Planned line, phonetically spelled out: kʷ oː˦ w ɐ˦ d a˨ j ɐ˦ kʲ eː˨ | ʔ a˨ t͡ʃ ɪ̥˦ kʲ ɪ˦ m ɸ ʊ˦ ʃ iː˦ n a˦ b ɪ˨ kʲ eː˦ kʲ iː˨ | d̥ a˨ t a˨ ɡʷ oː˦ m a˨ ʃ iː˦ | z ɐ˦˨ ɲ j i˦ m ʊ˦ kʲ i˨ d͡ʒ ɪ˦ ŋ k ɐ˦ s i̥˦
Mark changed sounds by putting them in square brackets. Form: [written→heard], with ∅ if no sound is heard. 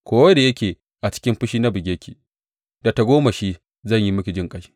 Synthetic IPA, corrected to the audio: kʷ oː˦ w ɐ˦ d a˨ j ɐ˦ kʲ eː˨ | ʔ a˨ t͡ʃ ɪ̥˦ kʲ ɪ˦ m ɸ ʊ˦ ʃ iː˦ n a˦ b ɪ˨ [kʲ→ɡʲ] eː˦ kʲ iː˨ | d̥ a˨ t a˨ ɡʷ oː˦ m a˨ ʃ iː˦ | z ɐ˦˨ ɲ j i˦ m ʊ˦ kʲ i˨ d͡ʒ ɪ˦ ŋ [k→kʼ] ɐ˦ [s→ʃ] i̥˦